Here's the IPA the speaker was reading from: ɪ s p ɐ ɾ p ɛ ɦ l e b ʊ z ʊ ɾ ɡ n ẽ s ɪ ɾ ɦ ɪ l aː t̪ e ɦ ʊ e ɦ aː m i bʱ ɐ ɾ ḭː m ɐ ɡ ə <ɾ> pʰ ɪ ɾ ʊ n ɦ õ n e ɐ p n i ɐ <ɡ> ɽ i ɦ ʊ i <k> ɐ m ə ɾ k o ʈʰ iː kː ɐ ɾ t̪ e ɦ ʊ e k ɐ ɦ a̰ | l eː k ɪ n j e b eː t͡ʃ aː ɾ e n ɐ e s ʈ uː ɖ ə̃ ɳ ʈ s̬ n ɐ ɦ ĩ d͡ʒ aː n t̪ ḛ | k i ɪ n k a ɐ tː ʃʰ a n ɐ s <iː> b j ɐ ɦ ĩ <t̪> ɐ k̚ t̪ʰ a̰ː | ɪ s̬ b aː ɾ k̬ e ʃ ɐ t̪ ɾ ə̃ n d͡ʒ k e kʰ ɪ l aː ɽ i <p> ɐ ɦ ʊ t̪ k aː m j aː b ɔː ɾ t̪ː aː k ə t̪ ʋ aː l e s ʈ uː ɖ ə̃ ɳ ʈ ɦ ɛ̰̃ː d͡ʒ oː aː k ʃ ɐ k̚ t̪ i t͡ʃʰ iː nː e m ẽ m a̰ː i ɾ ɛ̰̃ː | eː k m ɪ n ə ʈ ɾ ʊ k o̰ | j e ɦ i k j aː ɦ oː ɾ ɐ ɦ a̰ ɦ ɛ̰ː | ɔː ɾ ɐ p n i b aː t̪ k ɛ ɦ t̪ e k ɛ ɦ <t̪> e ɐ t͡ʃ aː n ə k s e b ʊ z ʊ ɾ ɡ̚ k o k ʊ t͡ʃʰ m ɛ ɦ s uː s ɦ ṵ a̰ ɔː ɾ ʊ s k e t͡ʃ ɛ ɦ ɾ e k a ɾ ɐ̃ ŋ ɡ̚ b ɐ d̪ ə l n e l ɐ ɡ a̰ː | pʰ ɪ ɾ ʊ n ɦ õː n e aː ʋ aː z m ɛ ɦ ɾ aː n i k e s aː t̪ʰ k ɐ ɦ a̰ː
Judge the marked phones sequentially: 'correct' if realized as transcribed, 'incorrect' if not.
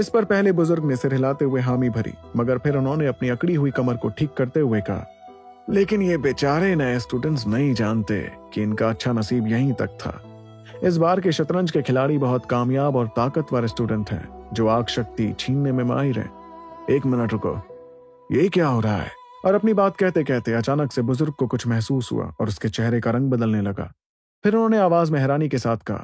correct, incorrect, correct, correct, correct, incorrect, correct

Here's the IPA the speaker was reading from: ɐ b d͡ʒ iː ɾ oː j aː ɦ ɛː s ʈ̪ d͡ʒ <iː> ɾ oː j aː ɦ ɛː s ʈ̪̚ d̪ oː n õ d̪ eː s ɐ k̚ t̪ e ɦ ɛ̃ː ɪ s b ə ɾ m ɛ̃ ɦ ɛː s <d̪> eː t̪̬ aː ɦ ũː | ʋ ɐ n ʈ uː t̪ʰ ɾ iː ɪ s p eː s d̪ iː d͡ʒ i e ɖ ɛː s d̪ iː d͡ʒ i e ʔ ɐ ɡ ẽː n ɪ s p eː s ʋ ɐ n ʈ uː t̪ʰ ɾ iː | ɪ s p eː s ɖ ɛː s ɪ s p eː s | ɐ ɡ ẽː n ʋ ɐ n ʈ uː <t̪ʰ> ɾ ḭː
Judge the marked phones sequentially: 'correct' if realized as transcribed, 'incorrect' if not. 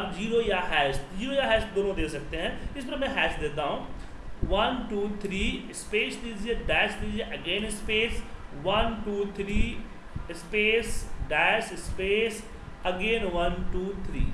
correct, correct, correct

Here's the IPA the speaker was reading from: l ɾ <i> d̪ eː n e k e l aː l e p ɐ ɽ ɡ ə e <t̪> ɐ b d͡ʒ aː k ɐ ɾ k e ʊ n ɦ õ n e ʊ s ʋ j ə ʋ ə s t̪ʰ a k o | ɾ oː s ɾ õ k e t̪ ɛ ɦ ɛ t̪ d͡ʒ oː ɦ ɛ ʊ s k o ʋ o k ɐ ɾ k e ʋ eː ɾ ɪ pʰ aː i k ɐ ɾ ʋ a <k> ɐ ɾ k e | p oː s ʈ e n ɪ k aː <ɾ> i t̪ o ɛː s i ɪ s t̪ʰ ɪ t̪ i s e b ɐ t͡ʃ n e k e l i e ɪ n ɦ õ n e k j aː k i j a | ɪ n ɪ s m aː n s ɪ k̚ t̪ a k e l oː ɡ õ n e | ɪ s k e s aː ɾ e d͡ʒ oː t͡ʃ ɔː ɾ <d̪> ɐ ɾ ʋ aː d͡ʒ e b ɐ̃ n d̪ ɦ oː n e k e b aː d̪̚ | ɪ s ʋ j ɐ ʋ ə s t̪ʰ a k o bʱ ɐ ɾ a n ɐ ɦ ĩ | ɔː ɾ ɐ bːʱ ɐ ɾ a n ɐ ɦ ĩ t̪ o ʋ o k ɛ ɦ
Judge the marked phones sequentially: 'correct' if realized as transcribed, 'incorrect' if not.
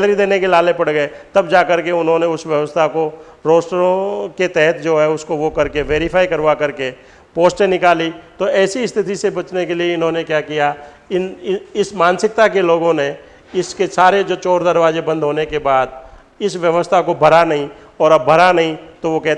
correct, correct, correct, incorrect, correct

